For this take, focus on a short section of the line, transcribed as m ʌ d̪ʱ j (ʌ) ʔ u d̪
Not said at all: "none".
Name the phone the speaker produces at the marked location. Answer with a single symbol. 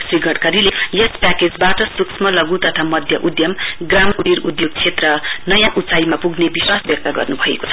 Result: ʌ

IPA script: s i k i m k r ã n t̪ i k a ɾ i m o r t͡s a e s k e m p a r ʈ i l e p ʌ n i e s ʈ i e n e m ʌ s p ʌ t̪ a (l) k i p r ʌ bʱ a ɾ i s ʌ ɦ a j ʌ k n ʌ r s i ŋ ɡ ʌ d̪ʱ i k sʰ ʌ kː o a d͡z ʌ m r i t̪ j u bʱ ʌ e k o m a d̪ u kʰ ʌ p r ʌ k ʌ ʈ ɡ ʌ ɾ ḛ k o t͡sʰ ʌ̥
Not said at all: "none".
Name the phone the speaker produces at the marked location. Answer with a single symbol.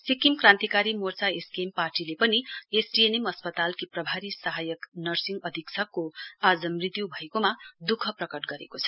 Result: l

